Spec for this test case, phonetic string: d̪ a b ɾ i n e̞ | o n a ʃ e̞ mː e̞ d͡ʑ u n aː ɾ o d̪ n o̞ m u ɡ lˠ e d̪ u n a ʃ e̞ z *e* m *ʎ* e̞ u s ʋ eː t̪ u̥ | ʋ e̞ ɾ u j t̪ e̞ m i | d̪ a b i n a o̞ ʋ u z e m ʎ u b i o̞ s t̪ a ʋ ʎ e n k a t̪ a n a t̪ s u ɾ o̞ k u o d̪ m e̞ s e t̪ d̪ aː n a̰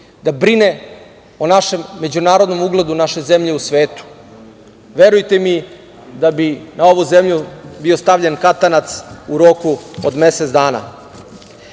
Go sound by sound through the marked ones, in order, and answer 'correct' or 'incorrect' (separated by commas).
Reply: correct, correct